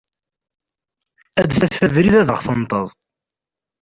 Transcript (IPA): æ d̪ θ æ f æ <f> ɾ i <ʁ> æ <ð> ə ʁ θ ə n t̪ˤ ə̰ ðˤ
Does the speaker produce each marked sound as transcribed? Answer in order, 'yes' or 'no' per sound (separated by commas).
no, no, yes